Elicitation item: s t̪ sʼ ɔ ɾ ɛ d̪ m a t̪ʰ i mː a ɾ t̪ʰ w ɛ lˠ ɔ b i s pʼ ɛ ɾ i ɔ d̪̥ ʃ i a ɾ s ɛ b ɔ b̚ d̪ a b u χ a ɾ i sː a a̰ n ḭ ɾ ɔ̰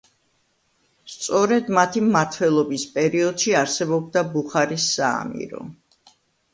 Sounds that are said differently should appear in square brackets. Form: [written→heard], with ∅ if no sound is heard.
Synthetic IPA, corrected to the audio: s t̪ sʼ ɔ ɾ ɛ d̪ m a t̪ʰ i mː a ɾ t̪ʰ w ɛ lˠ ɔ b i s pʼ ɛ ɾ i ɔ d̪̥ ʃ i a ɾ s ɛ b ɔ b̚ d̪ a b u χ a ɾ i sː a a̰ [n→m] ḭ ɾ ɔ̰